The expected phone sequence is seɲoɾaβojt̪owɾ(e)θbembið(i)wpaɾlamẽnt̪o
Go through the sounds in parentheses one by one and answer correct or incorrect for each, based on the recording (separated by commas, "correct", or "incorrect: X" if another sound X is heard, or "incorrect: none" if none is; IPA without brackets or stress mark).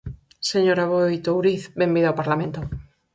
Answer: incorrect: i, incorrect: a